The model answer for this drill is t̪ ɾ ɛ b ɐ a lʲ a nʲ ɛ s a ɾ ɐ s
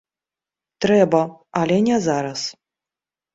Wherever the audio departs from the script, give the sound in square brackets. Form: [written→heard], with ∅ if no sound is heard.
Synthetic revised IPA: t̪ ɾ ɛ b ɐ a lʲ [a→ɛ] nʲ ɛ [s→z] a ɾ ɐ s